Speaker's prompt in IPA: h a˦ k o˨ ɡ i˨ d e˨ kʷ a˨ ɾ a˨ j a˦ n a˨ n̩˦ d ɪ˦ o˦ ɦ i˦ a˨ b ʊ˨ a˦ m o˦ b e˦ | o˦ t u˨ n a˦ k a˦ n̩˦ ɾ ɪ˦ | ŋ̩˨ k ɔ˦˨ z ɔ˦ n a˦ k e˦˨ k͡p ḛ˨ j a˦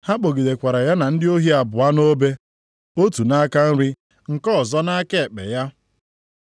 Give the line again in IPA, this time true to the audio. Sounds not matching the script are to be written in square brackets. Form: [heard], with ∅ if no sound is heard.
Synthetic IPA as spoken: h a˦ [k͡p] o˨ ɡ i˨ d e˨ kʷ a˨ ɾ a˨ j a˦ n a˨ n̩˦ d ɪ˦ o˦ ɦ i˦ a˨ b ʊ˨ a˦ [n] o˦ b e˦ | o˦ t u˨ n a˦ k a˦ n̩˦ ɾ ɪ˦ | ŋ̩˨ k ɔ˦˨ z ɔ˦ n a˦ k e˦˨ k͡p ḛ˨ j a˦